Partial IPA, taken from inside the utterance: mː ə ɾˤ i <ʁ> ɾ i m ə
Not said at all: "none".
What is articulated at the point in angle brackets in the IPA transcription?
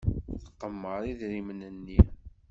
ð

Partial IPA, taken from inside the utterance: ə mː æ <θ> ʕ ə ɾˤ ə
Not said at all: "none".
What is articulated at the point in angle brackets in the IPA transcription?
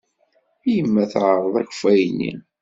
θ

